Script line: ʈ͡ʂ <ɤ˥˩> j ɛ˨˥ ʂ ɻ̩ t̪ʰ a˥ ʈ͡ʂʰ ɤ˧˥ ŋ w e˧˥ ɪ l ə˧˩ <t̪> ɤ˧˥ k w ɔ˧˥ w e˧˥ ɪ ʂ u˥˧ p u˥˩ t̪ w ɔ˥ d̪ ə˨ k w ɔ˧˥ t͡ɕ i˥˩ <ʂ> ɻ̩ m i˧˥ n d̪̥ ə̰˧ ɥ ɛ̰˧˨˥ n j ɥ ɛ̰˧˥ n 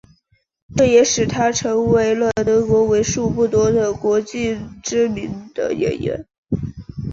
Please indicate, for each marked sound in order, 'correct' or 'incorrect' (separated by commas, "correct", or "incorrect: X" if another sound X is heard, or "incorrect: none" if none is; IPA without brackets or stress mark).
correct, correct, incorrect: ʈ͡ʂ